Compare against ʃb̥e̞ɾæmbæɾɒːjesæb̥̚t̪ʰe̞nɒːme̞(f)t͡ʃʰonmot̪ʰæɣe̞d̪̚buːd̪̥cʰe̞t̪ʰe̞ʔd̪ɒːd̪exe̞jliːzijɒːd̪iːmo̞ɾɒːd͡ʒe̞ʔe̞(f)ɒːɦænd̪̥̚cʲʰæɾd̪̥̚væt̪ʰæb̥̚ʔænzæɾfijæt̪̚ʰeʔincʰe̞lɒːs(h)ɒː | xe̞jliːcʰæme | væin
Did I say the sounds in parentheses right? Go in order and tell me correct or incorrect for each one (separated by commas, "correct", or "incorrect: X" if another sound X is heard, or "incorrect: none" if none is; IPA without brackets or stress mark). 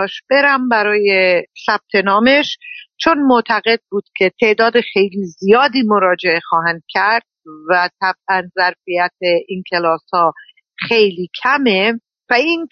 incorrect: ʃ, incorrect: x, correct